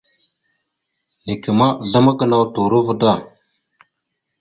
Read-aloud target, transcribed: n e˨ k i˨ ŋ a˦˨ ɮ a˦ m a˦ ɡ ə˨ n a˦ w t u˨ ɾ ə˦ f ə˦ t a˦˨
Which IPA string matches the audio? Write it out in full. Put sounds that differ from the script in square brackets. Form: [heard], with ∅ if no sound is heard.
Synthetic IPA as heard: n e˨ k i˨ [m] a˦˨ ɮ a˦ m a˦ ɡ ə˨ n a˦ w t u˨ ɾ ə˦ [v] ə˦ [d] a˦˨

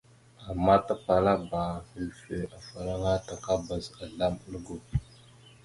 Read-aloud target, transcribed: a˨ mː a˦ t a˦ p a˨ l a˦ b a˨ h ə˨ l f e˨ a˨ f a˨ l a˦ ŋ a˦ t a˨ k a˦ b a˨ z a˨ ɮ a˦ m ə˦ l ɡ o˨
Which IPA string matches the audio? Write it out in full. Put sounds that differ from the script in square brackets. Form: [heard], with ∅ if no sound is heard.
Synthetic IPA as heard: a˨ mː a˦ t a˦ p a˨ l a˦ b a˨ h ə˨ l f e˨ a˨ f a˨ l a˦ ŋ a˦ t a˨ k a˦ b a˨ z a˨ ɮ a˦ m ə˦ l ɡ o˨

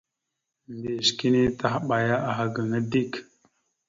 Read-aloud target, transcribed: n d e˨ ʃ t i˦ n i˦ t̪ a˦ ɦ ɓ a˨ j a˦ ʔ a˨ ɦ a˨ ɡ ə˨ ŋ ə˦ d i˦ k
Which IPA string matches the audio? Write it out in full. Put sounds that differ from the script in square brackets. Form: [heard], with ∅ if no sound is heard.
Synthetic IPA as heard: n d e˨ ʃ [k] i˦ n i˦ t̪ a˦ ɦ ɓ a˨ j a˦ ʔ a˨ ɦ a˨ ɡ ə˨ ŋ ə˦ d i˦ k

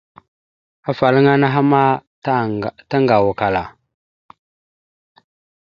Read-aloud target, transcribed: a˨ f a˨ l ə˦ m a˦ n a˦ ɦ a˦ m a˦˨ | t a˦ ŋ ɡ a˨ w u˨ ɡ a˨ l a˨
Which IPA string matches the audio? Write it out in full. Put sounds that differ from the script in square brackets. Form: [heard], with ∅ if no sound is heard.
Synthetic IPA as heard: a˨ f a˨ l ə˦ [ŋ] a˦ n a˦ ɦ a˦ m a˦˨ | t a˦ ŋ ɡ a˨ w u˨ [k] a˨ l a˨

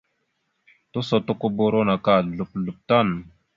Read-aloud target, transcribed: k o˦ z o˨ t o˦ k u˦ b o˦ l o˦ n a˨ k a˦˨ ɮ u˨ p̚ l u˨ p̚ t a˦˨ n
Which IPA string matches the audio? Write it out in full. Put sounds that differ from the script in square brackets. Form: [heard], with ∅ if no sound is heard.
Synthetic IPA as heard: [t] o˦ [s] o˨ t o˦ k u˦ b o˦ [ɾ] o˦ n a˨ k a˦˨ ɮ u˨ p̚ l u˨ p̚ t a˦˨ n

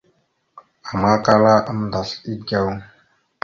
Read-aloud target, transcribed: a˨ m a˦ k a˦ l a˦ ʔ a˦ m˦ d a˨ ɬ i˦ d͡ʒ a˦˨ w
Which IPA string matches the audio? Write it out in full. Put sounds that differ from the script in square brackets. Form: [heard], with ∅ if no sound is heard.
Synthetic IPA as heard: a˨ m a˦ k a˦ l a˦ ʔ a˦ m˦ d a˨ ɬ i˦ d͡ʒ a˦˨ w

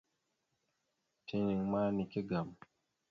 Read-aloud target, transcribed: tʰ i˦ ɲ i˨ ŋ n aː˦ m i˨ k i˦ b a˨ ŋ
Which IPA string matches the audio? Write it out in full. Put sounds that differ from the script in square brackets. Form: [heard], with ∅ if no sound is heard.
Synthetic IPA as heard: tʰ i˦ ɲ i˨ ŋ [m] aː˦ [n] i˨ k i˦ [ɡ] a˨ [m]

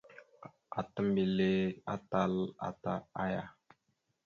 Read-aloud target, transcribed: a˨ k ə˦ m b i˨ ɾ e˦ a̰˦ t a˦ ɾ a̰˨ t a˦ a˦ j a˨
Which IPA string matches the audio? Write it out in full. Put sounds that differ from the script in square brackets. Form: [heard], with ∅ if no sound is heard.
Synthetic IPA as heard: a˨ [t] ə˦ m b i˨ [l] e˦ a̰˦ t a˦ [l] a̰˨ t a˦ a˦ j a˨

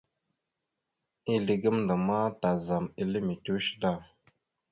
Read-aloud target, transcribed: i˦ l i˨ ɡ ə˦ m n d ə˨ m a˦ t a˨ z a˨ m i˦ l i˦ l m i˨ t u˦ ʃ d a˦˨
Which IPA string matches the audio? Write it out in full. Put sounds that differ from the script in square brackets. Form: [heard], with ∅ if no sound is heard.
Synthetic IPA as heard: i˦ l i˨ ɡ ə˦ m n d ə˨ m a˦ t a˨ z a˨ m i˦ l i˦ [∅] m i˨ t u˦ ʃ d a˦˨

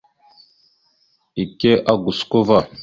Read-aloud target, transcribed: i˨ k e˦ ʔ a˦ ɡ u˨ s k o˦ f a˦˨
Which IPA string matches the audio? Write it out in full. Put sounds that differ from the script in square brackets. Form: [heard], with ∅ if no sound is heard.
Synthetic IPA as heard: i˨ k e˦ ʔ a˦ ɡ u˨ s k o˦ [v] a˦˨

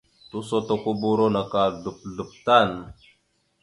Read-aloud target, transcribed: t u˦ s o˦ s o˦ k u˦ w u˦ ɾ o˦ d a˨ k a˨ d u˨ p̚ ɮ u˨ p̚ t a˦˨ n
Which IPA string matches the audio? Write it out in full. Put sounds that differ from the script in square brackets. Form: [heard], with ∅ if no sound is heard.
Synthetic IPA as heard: t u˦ s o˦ [t] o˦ k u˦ [b] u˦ ɾ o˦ [n] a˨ k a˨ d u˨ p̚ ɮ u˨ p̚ t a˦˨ n

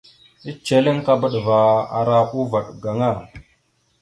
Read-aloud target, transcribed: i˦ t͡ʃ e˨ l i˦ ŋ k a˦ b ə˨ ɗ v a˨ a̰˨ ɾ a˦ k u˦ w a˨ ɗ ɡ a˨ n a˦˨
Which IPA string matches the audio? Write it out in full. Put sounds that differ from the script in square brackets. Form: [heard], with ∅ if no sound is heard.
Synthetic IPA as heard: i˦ t͡ʃ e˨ l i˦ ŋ k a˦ b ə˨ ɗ v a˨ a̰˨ ɾ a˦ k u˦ [v] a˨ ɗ ɡ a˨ [ŋ] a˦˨

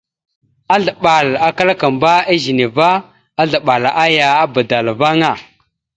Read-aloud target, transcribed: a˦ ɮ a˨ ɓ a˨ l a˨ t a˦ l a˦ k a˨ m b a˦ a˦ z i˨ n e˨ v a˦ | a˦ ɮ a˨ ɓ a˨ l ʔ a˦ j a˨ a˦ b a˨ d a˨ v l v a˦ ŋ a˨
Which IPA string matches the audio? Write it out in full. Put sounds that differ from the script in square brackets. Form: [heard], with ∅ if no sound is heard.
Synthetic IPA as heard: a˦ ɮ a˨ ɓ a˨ l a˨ [k] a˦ l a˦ k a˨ m b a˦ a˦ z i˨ n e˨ v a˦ | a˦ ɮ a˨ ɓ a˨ l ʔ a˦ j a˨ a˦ b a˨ d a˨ [∅] l v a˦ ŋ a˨

